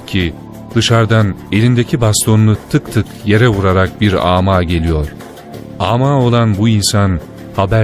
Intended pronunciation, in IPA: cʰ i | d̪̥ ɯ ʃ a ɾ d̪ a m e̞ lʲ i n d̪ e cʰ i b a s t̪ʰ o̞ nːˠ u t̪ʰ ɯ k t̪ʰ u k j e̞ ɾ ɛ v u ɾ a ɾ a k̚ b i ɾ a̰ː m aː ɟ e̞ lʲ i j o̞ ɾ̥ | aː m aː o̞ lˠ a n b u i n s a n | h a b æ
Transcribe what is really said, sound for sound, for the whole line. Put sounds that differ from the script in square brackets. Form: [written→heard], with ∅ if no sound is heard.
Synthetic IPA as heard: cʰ i | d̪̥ ɯ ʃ a ɾ d̪ a [m→n] e̞ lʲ i n d̪ e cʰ i b a s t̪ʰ o̞ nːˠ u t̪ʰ ɯ k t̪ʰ [u→ɯ] k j e̞ ɾ ɛ v u ɾ a ɾ a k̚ b i ɾ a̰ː m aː ɟ e̞ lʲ i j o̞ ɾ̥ | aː m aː o̞ lˠ a n b u i n s a n | h a b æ